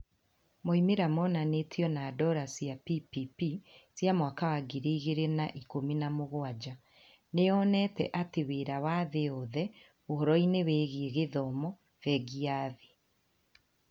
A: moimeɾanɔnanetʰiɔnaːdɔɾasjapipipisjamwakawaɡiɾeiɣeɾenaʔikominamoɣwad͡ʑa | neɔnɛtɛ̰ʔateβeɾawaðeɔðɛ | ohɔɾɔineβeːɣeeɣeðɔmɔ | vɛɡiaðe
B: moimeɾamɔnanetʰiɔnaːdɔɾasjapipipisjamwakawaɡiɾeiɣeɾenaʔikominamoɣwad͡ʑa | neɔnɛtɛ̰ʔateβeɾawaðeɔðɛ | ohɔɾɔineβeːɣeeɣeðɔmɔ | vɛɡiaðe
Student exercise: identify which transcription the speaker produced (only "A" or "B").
B